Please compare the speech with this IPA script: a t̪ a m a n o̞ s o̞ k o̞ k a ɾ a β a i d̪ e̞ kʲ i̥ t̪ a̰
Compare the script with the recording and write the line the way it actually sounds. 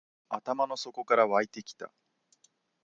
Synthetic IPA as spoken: a t̪ a m a n o̞ s o̞ k o̞ k a ɾ a β a i t̪ e̞ kʲ i̥ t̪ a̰